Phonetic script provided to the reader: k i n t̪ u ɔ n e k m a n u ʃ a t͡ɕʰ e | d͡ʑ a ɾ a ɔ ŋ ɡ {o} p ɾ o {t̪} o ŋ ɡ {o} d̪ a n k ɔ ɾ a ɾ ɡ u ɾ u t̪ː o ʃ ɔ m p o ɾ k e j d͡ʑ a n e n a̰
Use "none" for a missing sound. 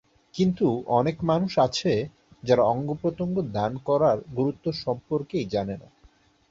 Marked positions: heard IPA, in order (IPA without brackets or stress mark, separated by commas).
o, t̪, o